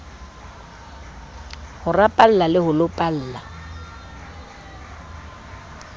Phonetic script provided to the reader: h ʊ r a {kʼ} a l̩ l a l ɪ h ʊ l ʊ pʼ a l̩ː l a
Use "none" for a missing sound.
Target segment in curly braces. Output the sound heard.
pʼ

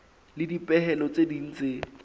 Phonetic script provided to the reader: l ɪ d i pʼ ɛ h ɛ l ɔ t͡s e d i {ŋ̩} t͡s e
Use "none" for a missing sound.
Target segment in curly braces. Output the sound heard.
n̩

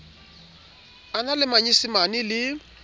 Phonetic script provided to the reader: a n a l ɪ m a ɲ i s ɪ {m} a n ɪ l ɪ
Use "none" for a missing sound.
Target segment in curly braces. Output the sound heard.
m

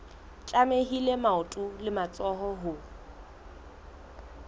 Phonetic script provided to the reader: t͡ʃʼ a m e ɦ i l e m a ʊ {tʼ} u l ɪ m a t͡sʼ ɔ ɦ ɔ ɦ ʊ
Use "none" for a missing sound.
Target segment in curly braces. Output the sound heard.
tʼ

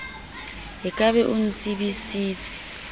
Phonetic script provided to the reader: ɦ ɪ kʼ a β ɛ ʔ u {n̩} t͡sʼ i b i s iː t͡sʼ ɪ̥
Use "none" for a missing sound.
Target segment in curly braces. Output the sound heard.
n̩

